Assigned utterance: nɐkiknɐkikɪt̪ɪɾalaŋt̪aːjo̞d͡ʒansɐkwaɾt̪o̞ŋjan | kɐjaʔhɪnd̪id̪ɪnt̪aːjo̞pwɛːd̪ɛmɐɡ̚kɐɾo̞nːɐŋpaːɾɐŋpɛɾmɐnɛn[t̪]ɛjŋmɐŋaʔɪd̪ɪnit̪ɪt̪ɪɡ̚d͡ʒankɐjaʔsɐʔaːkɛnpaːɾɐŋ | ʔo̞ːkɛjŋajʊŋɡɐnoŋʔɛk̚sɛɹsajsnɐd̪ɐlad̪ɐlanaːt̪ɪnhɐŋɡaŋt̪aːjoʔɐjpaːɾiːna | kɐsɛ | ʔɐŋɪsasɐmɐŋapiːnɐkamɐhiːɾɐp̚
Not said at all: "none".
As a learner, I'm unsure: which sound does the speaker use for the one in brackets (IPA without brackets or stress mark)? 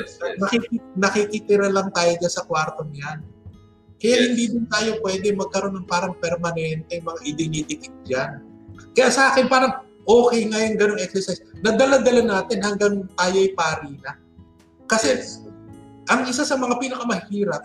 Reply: t̪